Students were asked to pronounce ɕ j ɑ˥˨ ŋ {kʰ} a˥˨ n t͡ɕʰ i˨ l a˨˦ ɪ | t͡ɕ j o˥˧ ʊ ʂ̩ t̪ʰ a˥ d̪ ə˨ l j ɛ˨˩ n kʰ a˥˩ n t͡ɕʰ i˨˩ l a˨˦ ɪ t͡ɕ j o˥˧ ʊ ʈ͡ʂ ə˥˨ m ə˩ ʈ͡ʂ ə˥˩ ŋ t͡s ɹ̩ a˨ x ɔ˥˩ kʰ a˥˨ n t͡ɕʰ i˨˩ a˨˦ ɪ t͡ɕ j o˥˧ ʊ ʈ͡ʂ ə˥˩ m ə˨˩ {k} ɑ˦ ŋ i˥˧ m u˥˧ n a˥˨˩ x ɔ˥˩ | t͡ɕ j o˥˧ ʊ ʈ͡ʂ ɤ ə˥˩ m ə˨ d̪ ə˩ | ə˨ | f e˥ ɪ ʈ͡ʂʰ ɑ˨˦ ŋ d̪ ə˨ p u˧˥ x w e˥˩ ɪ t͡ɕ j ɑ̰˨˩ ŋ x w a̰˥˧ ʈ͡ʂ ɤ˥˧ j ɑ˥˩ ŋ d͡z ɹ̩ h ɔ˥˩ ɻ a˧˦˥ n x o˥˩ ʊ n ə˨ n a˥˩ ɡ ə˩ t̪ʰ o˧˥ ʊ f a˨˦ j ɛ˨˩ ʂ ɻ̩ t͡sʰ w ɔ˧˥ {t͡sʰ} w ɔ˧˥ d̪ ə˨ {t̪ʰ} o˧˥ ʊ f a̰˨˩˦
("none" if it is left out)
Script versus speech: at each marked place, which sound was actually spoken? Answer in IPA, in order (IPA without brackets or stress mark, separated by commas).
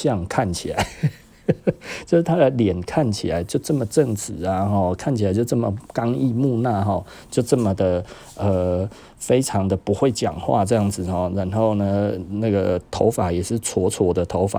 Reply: kʰ, k, t͡sʰ, t̪ʰ